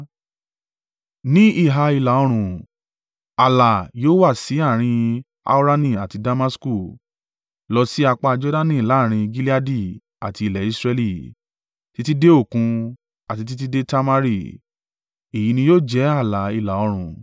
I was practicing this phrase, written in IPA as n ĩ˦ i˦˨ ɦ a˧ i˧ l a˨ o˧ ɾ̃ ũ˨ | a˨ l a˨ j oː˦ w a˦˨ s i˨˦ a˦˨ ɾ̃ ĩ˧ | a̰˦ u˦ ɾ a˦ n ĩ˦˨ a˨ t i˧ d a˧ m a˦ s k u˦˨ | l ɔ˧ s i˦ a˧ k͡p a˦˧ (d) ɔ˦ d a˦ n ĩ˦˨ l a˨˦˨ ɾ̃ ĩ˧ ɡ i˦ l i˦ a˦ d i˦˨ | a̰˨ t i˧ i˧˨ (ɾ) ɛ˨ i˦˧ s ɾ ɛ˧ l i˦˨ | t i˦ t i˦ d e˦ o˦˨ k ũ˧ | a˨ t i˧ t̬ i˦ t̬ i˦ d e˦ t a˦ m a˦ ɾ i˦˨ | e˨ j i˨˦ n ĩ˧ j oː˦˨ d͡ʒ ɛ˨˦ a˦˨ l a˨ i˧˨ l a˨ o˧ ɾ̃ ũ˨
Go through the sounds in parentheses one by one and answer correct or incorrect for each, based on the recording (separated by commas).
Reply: incorrect, incorrect